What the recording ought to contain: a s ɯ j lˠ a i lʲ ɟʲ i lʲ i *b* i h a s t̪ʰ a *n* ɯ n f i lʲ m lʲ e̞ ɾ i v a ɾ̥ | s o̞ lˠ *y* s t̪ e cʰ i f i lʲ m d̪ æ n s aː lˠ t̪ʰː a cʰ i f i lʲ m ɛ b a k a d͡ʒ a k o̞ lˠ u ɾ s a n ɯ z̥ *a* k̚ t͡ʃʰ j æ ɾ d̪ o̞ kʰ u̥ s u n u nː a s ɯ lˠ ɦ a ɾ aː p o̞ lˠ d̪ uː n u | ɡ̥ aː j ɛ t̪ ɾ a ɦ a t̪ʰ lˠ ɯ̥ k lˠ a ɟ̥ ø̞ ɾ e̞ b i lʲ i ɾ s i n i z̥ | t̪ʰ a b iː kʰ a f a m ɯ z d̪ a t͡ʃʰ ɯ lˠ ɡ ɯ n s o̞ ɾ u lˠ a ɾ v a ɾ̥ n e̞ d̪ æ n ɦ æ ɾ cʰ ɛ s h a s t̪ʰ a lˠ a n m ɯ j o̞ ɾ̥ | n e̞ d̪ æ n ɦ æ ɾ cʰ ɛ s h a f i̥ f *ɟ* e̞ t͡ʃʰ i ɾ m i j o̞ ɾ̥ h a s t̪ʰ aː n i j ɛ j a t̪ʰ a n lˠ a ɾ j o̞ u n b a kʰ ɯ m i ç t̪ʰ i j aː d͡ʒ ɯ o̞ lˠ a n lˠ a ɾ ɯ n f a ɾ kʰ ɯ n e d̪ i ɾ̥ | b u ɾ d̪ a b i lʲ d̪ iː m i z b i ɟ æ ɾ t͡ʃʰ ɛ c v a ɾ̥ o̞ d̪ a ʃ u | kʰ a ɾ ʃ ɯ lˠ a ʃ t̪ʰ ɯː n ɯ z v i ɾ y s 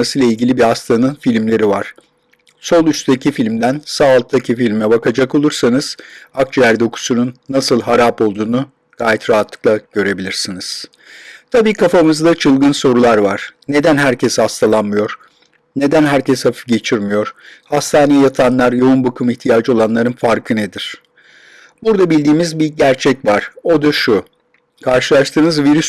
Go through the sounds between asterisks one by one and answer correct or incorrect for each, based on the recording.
correct, correct, correct, correct, correct

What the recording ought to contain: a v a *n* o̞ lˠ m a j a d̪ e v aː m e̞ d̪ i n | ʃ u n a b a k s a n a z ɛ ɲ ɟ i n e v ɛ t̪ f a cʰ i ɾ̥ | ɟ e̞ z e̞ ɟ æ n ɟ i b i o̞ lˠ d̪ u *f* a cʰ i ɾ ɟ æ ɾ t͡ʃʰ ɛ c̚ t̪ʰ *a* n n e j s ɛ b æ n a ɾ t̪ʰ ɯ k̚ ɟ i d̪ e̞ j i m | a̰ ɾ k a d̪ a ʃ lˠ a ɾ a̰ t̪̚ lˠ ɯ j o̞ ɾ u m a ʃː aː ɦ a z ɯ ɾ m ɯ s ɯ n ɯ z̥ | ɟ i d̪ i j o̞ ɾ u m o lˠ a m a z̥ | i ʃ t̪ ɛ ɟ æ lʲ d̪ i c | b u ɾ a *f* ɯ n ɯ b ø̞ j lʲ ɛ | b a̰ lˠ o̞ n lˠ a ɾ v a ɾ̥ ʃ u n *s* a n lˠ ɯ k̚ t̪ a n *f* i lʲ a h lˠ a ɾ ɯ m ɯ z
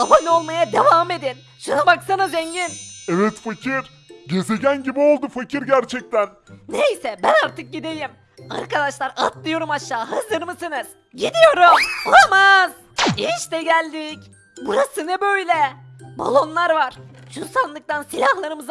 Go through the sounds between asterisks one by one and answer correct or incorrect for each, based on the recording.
correct, correct, incorrect, incorrect, correct, incorrect

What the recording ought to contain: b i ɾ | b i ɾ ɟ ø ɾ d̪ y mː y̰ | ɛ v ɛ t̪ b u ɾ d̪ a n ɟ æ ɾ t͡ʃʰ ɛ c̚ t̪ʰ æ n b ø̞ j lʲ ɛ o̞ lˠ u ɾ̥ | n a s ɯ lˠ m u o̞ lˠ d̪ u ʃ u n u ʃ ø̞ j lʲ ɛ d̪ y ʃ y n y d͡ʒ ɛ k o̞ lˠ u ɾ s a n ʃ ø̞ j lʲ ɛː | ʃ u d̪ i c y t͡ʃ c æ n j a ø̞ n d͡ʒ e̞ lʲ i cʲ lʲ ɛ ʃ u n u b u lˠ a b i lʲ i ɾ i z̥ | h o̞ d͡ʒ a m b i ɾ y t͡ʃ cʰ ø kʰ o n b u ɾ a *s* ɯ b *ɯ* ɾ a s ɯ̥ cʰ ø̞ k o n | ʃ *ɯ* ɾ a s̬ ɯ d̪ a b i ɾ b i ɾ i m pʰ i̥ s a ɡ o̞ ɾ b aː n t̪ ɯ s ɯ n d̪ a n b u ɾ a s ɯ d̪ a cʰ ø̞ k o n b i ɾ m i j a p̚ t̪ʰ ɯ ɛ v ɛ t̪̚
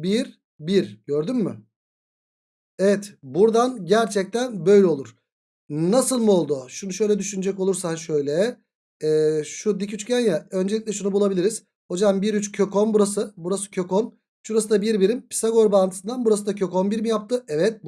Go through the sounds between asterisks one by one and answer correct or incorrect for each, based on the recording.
correct, incorrect, incorrect

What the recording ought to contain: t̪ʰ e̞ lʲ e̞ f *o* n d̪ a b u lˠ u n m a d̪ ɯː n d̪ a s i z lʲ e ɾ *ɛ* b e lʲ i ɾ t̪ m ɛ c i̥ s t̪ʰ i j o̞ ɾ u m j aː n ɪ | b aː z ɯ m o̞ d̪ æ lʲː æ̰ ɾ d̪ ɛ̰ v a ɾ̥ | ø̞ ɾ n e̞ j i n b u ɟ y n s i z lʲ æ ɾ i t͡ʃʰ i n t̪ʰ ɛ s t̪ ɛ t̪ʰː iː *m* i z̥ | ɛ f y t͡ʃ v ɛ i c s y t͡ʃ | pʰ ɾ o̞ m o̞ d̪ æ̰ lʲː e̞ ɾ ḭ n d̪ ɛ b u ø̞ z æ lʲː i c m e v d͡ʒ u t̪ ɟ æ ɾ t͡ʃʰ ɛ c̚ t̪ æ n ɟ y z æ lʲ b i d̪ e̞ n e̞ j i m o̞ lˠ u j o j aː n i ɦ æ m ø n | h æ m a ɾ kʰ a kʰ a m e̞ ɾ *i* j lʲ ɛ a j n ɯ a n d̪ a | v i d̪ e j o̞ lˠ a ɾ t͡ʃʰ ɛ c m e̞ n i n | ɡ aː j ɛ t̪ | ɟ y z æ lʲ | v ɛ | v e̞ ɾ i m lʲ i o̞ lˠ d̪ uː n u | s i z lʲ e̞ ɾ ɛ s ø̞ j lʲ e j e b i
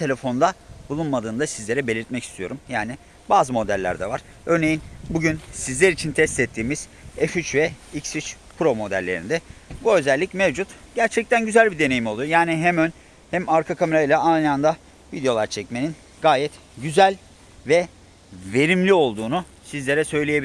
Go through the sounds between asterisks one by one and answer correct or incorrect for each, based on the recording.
correct, correct, correct, incorrect

